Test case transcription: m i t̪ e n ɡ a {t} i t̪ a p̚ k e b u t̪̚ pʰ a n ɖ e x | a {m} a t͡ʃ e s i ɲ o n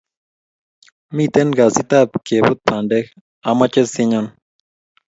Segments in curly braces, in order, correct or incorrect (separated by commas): incorrect, correct